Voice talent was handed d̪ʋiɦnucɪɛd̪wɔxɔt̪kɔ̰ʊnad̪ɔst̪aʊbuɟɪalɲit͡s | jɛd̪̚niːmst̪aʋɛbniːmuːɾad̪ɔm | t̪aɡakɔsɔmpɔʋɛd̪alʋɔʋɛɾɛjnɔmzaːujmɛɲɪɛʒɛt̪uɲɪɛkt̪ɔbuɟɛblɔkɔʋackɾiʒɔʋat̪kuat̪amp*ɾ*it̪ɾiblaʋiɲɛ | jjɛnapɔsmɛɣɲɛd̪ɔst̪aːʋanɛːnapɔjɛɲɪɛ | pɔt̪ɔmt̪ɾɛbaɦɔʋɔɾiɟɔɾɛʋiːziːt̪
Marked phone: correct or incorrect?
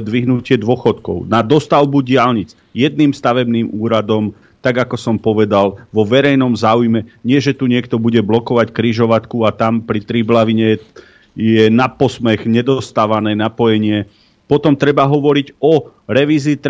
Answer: correct